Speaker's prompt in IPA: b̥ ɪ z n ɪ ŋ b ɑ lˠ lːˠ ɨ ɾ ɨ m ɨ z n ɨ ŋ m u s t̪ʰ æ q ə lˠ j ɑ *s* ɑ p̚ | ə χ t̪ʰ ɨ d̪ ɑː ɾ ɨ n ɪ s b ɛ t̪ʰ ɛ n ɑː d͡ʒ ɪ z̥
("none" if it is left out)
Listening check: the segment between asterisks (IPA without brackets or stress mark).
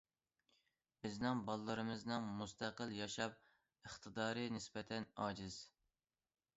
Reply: ʃ